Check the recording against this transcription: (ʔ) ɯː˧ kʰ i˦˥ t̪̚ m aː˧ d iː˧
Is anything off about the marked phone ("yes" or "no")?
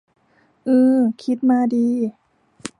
no